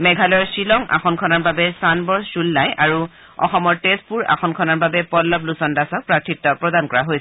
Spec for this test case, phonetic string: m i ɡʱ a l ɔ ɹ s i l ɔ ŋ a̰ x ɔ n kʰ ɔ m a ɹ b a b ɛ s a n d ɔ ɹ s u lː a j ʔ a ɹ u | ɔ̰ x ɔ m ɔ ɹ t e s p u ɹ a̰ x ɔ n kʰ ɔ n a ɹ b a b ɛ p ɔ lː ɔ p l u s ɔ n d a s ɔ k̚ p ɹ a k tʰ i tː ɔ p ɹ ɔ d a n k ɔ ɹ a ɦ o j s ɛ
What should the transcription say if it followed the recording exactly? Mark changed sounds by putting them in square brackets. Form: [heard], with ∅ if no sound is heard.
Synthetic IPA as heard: m [ɛ] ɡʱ a l ɔ ɹ s i l ɔ ŋ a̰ x ɔ n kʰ ɔ [n] a ɹ b a b ɛ s a n [b] ɔ ɹ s u lː a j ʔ a ɹ u | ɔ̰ x ɔ m ɔ ɹ t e s p u ɹ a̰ x ɔ n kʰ ɔ n a ɹ b a b ɛ p ɔ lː ɔ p l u s ɔ n d a s ɔ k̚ p ɹ a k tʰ i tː ɔ p ɹ ɔ d a n k ɔ ɹ a ɦ o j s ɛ